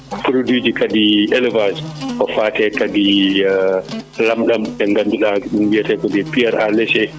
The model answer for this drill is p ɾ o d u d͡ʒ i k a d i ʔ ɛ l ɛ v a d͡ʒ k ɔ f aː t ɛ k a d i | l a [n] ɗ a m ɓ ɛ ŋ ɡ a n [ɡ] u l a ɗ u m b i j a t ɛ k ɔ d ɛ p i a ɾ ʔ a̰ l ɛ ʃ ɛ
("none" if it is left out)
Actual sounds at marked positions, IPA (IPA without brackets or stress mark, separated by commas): m, d